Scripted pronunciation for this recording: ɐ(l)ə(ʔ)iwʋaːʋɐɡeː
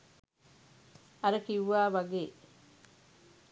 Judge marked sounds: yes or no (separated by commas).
no, no